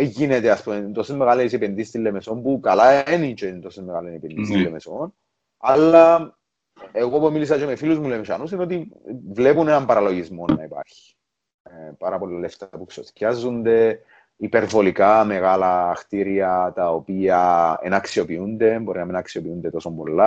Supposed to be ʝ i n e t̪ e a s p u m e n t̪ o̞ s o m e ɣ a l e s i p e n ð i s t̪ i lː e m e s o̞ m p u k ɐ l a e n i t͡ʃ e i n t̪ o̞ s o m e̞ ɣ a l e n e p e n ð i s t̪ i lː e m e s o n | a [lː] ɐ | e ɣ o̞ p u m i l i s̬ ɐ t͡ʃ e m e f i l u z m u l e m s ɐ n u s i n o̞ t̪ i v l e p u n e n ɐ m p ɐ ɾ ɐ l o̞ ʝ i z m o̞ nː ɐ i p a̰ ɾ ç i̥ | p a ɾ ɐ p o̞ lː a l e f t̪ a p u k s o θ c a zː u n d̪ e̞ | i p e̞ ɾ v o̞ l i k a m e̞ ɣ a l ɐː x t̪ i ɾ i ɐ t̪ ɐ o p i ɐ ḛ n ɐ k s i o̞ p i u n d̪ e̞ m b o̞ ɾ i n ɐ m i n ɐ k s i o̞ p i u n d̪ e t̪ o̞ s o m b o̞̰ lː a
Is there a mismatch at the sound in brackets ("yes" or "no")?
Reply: no